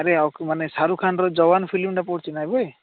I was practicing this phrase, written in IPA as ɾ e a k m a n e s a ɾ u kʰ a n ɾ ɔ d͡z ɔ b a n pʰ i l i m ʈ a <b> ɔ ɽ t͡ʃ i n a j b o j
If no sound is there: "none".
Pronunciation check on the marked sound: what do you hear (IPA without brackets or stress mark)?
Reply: p